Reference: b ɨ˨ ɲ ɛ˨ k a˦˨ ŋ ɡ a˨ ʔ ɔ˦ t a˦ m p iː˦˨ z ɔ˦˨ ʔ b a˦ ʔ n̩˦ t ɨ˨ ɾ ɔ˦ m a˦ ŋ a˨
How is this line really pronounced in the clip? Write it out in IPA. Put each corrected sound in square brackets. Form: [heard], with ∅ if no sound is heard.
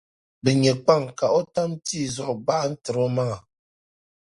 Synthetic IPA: b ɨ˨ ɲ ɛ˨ [k͡p] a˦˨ ŋ [k] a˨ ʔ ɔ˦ t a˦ m [t] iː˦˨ z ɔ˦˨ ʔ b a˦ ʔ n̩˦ t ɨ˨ ɾ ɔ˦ m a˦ ŋ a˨